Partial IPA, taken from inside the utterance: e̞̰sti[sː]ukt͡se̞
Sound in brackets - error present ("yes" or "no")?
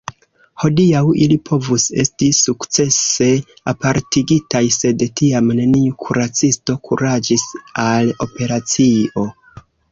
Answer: yes